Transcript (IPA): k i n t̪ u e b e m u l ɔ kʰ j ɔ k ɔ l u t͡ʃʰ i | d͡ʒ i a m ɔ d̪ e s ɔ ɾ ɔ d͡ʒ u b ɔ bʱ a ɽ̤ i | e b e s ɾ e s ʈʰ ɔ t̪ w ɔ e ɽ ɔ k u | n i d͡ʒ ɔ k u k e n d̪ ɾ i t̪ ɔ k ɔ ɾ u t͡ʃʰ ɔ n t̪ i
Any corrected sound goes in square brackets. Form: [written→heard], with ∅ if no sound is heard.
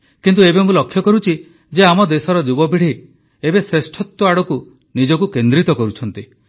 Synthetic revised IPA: k i n t̪ u e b e m u l ɔ kʰ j ɔ k ɔ [l→ɾ] u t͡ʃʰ i | d͡ʒ [i→e] a m ɔ d̪ e s ɔ ɾ ɔ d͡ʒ u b ɔ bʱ [a→i] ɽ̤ i | e b e s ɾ e s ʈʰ ɔ t̪ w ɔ [e→a] ɽ ɔ k u | n i d͡ʒ ɔ k u k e n d̪ ɾ i t̪ ɔ k ɔ ɾ u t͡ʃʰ ɔ n t̪ i